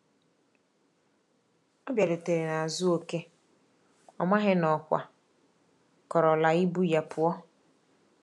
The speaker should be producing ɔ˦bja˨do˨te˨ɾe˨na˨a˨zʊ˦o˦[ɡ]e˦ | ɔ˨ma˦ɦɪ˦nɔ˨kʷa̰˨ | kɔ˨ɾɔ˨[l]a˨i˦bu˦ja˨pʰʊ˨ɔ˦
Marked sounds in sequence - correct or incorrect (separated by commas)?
incorrect, correct